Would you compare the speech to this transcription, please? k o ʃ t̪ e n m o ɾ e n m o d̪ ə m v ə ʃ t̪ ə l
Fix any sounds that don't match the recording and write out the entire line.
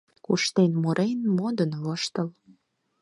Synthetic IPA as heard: k u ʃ t̪ e n m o ɾ e n m o d̪ ə n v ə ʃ t̪ ə l